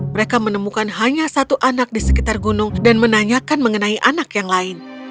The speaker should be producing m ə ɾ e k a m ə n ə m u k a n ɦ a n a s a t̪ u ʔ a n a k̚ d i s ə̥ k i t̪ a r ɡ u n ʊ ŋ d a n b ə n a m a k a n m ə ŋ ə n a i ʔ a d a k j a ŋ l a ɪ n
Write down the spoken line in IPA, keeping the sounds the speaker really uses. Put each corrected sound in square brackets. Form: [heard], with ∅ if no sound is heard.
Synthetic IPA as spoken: m ə ɾ e k a m ə n ə m u k a n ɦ a [ɲ] a s a t̪ u ʔ a n a k̚ d i s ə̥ k i t̪ a r ɡ u n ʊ ŋ d a n [m] ə n a [ɲ] a k a n m ə ŋ ə n a i ʔ a [n] a k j a ŋ l a ɪ n